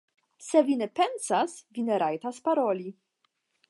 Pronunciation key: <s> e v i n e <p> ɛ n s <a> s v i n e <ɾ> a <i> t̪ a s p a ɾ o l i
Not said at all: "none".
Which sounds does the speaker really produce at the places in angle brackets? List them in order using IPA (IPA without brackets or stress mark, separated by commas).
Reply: s, p, a, ɾ, j